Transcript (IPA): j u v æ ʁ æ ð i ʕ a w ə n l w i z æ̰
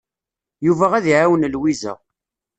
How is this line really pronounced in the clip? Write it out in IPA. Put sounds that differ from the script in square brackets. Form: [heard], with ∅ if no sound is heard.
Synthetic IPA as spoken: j u v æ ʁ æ ð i ʕ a w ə n l w i z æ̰